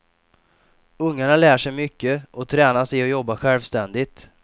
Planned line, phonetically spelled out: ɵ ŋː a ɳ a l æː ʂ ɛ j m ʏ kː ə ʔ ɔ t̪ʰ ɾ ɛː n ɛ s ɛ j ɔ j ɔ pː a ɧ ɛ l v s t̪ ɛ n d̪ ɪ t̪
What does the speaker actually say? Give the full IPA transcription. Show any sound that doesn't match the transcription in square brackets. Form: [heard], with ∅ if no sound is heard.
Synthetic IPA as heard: ɵ ŋː a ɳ a l æː ʂ ɛ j m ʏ kː ə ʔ ɔ t̪ʰ ɾ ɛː n [a] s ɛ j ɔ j ɔ [bː] a ɧ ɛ l v s t̪ ɛ n d̪ ɪ t̪

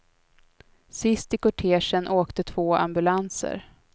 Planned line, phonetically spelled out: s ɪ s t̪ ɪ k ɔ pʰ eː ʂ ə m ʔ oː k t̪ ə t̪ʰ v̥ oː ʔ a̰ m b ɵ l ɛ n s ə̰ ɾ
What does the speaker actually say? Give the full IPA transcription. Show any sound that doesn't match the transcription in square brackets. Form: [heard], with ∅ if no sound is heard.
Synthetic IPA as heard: s ɪ s t̪ ɪ k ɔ [ʈʰ] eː ʂ ə [n] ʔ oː k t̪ ə t̪ʰ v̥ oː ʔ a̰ m b ɵ l [a] n s ə̰ ɾ

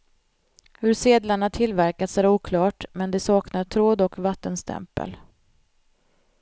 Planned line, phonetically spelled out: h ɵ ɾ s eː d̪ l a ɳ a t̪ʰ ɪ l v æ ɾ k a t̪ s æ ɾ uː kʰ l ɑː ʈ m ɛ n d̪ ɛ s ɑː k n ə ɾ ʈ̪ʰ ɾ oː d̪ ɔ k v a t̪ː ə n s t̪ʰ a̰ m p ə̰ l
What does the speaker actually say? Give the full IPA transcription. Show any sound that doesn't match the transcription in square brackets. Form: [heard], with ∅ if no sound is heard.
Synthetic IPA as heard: h ɵ ɾ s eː d̪ l a ɳ a t̪ʰ ɪ l v æ ɾ k a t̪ s æ ɾ uː kʰ l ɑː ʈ m ɛ n d̪ ɛ s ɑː k n [a] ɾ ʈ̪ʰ ɾ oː d̪ ɔ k v a t̪ː ə n s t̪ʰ [ɛ̰] m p ə̰ l

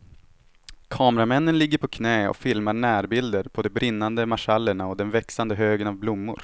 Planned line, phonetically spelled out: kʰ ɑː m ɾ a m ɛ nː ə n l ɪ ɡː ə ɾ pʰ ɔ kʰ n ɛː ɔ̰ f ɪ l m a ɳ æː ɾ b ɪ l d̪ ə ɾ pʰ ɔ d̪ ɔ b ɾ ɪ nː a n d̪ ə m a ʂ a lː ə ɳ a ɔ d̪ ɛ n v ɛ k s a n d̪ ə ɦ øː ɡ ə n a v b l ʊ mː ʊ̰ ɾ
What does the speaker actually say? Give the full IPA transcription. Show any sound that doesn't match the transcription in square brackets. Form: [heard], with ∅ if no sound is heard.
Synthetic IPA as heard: kʰ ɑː m ɾ a m ɛ nː ə n l ɪ ɡː ə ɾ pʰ ɔ kʰ n ɛː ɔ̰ f ɪ l m a ɳ æː ɾ b ɪ l d̪ ə ɾ pʰ ɔ d̪ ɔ b ɾ ɪ nː a n d̪ ə m a ʂ a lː ə ɳ a ɔ d̪ ɛ n v ɛ k s a n d̪ ə ɦ øː ɡ ə n a v b l ʊ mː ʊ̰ ɾ

